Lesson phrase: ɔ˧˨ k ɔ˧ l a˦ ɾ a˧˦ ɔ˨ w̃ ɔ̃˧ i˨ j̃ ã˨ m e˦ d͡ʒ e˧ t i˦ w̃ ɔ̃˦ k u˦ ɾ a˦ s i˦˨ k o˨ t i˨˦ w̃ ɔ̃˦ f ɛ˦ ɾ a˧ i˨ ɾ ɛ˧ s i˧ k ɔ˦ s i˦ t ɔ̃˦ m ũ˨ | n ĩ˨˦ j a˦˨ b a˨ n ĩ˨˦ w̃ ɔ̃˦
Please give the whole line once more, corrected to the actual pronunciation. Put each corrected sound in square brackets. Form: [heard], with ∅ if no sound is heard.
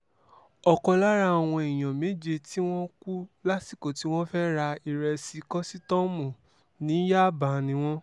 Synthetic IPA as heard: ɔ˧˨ k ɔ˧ l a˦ ɾ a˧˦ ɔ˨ w̃ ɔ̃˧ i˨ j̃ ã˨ m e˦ d͡ʒ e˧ t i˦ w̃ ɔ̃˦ k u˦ [l] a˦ s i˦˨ k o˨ t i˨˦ w̃ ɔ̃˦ f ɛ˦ ɾ a˧ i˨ ɾ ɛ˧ s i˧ k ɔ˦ s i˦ t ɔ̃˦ m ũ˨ | n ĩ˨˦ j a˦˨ b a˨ n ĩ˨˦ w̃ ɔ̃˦